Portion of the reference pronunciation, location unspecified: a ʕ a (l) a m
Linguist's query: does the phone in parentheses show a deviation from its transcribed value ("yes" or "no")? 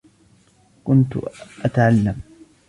yes